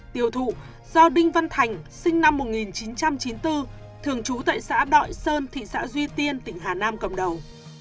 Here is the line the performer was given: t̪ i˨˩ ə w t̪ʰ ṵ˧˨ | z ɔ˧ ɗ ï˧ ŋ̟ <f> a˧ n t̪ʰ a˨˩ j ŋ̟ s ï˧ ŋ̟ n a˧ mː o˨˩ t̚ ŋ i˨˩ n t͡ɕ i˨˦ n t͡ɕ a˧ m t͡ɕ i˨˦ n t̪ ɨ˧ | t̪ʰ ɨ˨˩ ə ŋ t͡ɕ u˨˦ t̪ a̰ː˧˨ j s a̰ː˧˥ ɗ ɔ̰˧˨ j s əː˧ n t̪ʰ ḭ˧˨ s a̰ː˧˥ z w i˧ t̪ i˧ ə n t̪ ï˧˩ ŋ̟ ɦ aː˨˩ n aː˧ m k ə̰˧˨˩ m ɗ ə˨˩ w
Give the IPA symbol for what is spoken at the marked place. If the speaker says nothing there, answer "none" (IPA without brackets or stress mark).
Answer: v